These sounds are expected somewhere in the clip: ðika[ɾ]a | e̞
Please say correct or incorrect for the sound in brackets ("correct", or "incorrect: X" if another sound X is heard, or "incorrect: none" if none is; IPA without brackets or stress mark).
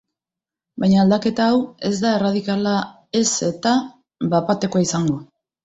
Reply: incorrect: l